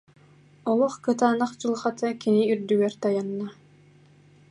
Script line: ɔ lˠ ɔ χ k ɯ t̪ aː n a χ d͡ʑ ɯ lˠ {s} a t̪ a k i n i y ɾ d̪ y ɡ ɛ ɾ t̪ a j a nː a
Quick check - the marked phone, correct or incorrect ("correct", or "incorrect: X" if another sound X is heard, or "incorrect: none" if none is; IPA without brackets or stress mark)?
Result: incorrect: χ